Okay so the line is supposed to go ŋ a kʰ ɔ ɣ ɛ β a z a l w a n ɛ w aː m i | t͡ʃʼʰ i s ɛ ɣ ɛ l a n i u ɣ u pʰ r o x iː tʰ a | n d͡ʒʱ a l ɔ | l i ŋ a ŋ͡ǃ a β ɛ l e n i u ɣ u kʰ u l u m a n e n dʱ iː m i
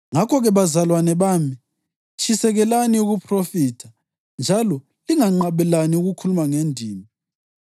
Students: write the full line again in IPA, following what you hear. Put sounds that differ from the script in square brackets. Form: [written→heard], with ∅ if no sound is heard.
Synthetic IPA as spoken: ŋ a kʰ ɔ ɣ ɛ β a z a l w a n ɛ [w→β] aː m i | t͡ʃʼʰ i s ɛ ɣ ɛ l a n i u ɣ u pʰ r o [x→f] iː tʰ a | n d͡ʒʱ a l ɔ | l i ŋ a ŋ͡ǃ a β ɛ l [e→a] n i u ɣ u kʰ u l u m a [n→ŋ] e n dʱ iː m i